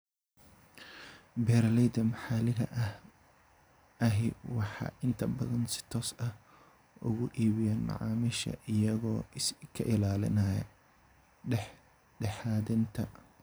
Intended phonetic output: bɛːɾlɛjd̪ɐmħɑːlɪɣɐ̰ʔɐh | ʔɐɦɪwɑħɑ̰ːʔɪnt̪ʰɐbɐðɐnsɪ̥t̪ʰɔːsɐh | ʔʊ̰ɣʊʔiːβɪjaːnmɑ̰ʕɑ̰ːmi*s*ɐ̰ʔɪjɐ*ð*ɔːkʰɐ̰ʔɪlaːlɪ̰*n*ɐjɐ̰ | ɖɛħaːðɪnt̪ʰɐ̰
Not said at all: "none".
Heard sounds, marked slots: ʃ, ɣ, n

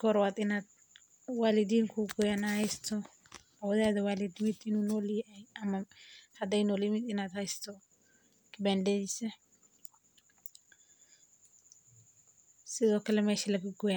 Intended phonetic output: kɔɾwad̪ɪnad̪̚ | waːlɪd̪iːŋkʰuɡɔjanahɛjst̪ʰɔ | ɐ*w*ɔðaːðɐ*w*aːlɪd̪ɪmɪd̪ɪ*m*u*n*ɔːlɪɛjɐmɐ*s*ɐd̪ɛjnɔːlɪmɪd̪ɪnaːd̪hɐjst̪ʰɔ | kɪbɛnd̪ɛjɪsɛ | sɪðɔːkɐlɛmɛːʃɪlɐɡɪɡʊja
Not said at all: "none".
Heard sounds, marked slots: w, w, n, n, h

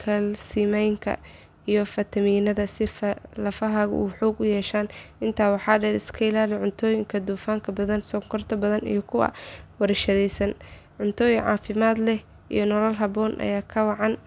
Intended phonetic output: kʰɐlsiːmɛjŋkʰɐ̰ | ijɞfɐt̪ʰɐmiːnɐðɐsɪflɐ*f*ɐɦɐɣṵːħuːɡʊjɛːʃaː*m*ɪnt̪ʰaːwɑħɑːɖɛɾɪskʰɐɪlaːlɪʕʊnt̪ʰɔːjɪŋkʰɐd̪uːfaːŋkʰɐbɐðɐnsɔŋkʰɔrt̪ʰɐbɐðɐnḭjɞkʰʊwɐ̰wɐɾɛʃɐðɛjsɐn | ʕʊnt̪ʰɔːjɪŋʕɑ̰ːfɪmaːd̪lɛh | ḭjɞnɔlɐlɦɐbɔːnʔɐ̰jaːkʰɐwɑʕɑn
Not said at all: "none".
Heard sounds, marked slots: f, n

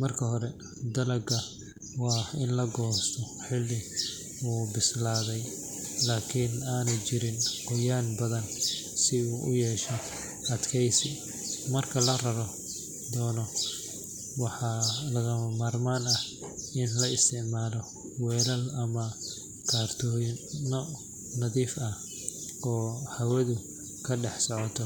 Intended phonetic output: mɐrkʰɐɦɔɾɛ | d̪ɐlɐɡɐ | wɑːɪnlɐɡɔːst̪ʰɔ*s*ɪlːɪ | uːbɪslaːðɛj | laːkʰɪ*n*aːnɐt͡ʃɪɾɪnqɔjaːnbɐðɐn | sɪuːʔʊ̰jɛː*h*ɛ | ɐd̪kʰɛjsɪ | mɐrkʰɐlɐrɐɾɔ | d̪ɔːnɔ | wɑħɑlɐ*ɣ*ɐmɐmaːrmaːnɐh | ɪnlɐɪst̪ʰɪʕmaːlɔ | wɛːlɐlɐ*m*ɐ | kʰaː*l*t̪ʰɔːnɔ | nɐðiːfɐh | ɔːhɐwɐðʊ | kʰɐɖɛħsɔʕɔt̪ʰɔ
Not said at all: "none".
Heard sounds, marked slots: ħ, n, ʃ, ɣ, m, r

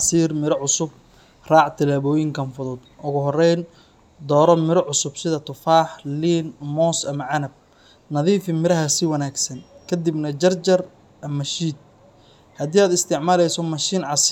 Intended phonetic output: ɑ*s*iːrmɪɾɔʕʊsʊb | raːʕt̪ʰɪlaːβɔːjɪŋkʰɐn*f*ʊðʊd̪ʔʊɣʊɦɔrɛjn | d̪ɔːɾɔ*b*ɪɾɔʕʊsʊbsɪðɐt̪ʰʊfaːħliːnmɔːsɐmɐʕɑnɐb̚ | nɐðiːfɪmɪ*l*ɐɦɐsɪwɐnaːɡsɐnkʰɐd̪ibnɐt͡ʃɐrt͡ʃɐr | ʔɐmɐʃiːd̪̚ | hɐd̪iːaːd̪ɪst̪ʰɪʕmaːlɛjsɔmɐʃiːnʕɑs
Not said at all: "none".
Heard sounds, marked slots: s, f, m, ɾ

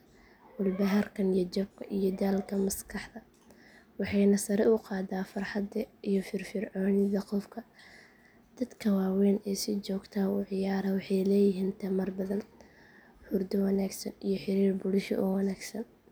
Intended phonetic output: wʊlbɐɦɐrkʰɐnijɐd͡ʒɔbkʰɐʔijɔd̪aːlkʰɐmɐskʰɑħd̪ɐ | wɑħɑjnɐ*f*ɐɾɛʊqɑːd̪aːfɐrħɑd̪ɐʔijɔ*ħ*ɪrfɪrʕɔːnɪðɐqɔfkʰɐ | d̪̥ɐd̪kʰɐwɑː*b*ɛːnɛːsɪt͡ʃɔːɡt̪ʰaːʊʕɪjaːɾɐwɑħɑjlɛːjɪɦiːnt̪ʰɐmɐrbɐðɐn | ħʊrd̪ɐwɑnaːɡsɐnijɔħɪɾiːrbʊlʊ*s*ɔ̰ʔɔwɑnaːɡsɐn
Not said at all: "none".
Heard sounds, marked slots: s, f, w, ʃ

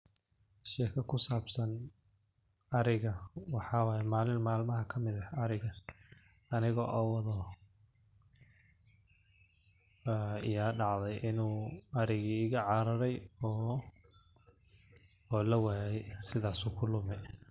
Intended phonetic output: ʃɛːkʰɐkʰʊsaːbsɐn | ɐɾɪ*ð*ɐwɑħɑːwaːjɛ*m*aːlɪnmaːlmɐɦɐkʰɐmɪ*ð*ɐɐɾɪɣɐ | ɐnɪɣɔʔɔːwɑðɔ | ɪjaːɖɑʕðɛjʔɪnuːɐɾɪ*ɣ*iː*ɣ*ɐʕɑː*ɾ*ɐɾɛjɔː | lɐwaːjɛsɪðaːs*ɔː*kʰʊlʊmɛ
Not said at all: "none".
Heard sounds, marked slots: ɣ, m, ð, ɣ, ɣ, ɾ, uː

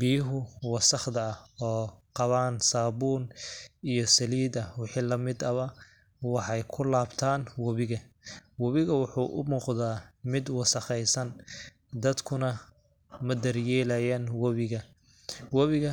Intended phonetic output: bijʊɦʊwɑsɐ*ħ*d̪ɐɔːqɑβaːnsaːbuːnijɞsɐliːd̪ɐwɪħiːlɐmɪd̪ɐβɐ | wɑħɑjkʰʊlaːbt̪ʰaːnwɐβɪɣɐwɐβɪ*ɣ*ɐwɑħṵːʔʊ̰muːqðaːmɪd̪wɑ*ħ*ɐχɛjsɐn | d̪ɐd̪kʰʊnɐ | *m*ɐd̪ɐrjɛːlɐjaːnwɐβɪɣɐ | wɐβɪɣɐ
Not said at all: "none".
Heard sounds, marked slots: χ, ɣ, s, m

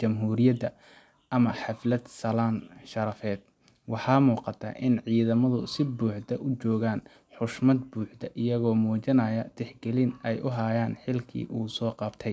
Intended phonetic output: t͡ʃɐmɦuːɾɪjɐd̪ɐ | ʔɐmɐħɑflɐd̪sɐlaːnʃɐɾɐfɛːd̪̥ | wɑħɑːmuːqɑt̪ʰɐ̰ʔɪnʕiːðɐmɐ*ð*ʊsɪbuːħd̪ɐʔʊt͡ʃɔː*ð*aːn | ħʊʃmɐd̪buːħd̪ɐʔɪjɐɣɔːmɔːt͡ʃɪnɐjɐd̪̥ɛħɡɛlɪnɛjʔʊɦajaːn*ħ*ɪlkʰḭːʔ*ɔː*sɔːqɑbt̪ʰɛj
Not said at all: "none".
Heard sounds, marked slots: ð, ɣ, ħ, uː

